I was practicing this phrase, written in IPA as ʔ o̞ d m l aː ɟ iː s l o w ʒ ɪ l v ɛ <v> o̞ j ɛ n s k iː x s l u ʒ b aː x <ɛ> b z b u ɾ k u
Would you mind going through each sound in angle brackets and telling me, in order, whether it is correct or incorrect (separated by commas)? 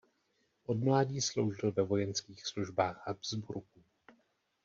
correct, incorrect